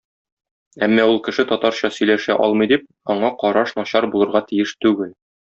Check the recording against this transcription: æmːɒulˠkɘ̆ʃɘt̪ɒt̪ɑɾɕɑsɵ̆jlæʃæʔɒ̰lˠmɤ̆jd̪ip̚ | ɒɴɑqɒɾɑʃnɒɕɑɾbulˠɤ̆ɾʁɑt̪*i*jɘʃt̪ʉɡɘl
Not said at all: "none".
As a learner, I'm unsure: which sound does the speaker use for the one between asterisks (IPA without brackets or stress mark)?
i